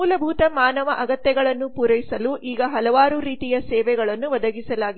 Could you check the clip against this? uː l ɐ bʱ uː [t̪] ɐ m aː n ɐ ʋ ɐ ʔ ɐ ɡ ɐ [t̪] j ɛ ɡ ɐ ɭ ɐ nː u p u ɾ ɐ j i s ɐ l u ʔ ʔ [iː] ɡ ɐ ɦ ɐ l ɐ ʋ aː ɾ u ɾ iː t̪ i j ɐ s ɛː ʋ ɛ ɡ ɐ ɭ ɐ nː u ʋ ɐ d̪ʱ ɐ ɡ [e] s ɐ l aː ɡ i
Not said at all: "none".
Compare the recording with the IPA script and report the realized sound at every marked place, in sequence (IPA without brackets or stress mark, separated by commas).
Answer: t̪, t̪, iː, i